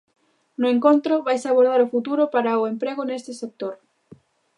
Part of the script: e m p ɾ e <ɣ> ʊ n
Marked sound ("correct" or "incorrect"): correct